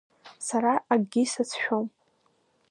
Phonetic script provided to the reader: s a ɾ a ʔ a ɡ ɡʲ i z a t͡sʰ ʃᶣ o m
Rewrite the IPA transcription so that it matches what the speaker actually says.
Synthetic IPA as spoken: s a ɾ a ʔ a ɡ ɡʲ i s a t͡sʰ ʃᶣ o m